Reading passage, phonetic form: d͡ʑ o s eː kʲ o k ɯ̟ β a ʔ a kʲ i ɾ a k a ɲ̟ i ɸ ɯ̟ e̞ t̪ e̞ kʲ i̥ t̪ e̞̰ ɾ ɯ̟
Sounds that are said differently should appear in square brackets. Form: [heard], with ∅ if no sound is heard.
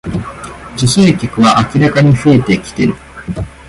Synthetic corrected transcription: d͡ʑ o s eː kʲ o k ɯ̟ β a ʔ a kʲ i ɾ a k a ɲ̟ i ɸ ɯ̟ e̞ t̪ e̞ kʲ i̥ t̪ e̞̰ ɾ ɯ̟